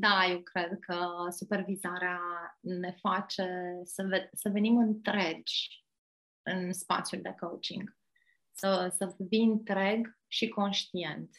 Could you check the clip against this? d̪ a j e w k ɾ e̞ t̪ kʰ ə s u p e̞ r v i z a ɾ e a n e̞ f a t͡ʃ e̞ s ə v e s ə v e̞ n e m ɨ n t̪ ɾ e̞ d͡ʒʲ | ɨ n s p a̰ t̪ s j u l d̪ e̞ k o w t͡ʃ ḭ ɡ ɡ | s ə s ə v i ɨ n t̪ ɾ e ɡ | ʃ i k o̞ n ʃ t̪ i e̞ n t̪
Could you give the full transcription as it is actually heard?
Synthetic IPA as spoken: d̪ a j e w k ɾ e̞ d̪ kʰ ə s u p e̞ r v i z a ɾ e a n e̞ f a t͡ʃ e̞ s ə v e s ə v e̞ n i m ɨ n t̪ ɾ e̞ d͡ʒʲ | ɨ n s p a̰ t̪ s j u l d̪ e̞ k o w t͡ʃ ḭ ŋ ɡ | s ə s ə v i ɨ n t̪ ɾ e ɡ | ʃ i k o̞ n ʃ t̪ i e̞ n t̪